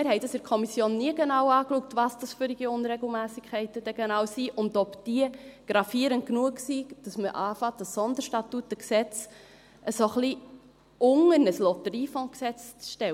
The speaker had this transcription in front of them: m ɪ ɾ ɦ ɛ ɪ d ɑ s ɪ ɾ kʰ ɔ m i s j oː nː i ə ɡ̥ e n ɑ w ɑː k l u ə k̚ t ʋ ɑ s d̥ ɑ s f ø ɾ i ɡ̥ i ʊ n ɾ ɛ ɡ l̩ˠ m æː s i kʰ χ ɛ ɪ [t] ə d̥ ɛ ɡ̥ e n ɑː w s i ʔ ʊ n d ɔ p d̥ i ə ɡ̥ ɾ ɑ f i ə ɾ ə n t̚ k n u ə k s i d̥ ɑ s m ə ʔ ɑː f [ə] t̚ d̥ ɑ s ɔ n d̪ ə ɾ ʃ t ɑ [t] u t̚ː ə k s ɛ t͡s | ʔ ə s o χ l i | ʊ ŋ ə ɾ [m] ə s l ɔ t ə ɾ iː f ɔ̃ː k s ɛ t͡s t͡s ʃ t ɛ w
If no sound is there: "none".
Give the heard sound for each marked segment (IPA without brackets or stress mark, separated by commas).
t, ɑ, t, n